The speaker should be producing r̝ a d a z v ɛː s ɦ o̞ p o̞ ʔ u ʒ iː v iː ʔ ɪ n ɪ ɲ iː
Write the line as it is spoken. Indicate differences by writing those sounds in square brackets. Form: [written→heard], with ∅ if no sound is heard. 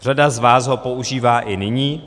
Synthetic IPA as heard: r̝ a d a z v [ɛː→aː] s ɦ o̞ p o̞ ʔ u ʒ iː v [iː→aː] ʔ ɪ n ɪ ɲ iː